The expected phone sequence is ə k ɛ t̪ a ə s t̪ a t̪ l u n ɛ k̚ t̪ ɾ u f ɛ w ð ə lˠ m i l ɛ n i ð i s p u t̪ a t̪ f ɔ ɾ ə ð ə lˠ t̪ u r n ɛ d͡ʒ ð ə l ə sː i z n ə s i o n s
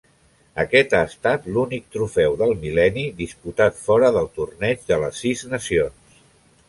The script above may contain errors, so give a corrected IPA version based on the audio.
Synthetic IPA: ə k ɛ t̪ a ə s t̪ a t̪ l u n i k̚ t̪ ɾ u f ɛ w ð ə lˠ m i l ɛ n i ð i s p u t̪ a t̪ f ɔ ɾ ə ð ə lˠ t̪ u r n ɛ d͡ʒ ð ə l ə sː i z n ə s i o n s